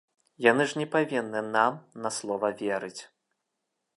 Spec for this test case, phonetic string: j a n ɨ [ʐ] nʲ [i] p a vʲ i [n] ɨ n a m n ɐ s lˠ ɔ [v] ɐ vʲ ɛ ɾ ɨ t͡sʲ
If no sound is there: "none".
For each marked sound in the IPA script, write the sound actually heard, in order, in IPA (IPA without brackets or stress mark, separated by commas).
ʐ, ɛ, nː, v